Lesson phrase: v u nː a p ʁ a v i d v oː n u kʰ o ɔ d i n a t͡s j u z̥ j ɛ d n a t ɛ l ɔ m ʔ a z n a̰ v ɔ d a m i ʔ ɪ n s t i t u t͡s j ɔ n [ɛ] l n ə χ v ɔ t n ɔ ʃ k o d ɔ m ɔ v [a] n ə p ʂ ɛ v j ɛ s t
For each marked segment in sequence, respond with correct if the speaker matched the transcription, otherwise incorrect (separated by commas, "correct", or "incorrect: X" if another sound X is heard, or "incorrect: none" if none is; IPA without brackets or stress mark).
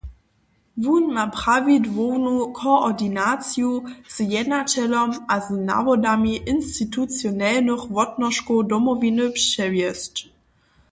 correct, incorrect: i